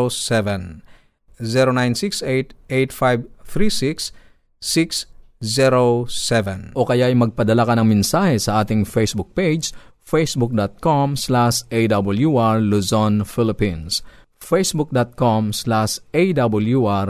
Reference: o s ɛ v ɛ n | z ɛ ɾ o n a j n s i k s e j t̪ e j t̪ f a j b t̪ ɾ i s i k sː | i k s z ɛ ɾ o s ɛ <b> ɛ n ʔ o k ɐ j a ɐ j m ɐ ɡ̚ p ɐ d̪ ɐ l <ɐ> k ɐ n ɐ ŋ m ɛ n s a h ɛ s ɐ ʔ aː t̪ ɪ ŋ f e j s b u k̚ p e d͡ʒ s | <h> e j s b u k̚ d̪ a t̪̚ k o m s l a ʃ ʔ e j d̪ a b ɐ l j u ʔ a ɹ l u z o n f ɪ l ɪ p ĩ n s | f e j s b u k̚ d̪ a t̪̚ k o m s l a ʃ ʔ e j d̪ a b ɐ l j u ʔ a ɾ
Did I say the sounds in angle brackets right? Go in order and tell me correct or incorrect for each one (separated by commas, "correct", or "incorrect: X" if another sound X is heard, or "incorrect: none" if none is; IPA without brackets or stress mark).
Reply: incorrect: v, incorrect: a, incorrect: f